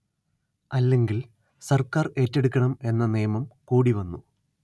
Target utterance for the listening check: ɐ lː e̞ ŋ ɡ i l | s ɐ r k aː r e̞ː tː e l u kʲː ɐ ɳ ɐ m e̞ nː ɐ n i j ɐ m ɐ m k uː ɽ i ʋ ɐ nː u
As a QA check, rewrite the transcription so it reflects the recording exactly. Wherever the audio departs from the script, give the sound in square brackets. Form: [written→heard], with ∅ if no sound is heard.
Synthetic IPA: ɐ lː e̞ ŋ ɡ i l | s ɐ r k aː r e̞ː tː e [l→ɽ] u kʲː ɐ ɳ ɐ m e̞ nː ɐ n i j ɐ m ɐ m k uː ɽ i ʋ ɐ nː u

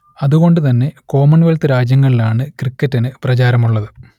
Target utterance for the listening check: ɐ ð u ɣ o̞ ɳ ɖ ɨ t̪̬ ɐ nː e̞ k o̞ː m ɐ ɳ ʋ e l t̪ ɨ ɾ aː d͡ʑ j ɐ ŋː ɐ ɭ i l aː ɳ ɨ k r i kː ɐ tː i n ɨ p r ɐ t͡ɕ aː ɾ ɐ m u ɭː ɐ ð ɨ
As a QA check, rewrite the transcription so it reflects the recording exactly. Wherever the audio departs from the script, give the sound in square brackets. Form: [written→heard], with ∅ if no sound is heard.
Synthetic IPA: ɐ ð u ɣ o̞ ɳ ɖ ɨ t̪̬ ɐ nː e̞ k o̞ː m ɐ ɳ ʋ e l t̪ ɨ ɾ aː d͡ʑ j ɐ ŋː ɐ ɭ i l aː ɳ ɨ k r i kː ɐ tː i n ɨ p r ɐ t͡ɕ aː ɾ ɐ m u ɭː ɐ ð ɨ

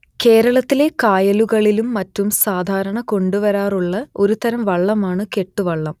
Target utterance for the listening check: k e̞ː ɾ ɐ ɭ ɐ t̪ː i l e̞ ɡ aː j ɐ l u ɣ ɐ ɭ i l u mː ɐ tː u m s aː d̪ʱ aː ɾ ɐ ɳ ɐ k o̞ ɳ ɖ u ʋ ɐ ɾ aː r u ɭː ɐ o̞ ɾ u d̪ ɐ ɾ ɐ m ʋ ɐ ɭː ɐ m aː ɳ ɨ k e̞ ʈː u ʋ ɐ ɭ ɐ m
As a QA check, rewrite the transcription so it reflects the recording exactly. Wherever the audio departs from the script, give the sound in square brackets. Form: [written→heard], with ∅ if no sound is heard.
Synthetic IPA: k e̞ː ɾ ɐ ɭ ɐ t̪ː i l e̞ [ɡ→k] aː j ɐ l u ɣ ɐ ɭ i l u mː ɐ tː u m s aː d̪ʱ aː ɾ ɐ ɳ ɐ k o̞ ɳ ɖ u ʋ ɐ ɾ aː r u ɭː ɐ o̞ ɾ u [d̪→t̪] ɐ ɾ ɐ m ʋ ɐ ɭː ɐ m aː ɳ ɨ k e̞ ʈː u ʋ ɐ [ɭ→ɭː] ɐ m

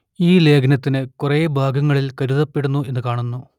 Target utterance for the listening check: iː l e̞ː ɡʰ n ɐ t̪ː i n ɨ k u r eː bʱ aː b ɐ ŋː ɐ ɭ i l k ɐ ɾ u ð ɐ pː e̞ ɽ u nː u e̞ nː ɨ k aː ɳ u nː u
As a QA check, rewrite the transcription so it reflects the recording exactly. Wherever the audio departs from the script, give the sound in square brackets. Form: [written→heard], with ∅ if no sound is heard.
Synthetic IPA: iː l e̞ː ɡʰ n ɐ t̪ː i n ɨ k u r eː bʱ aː [b→ɡ] ɐ ŋː ɐ ɭ i l k ɐ ɾ u ð ɐ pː e̞ ɽ u nː u e̞ nː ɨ k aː ɳ u nː u

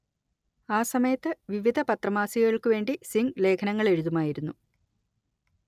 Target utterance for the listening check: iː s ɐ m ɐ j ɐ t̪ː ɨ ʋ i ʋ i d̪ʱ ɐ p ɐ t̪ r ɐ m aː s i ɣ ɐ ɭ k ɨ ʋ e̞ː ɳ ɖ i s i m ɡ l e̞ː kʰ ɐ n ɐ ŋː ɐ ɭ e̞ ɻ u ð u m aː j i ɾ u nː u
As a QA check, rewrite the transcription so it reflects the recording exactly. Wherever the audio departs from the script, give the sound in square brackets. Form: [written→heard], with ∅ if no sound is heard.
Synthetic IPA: [iː→aː] s ɐ m ɐ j ɐ t̪ː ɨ ʋ i ʋ i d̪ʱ ɐ p ɐ t̪ r ɐ m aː s i ɣ ɐ ɭ k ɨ ʋ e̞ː ɳ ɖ i s i [m→ŋ] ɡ l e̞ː kʰ ɐ n ɐ ŋː ɐ ɭ e̞ ɻ u ð u m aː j i ɾ u nː u

